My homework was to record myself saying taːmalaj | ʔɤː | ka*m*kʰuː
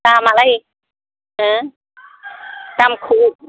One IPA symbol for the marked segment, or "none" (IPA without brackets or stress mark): m